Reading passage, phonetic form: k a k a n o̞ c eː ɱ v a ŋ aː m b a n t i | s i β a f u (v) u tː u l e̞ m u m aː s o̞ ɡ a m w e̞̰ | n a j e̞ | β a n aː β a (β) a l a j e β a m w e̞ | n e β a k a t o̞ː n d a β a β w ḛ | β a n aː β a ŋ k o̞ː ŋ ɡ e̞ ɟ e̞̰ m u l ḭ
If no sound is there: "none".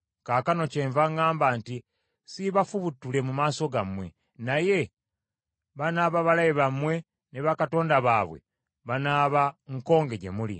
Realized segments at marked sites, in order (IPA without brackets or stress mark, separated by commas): β, β